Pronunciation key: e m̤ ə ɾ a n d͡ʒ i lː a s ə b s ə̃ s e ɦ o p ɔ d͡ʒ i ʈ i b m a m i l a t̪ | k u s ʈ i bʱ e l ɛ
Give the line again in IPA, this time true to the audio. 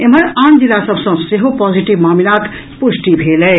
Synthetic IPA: e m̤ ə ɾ a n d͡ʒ i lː a s ə b s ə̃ s e ɦ o p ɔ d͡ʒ i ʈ i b m a m i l a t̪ | p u s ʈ i bʱ e l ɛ